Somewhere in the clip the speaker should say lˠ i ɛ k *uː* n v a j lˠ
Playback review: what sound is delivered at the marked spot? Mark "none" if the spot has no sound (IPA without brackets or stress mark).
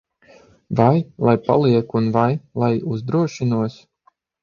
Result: u